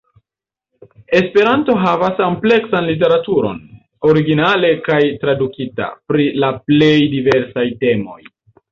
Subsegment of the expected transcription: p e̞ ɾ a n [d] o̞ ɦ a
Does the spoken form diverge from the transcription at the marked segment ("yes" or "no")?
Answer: yes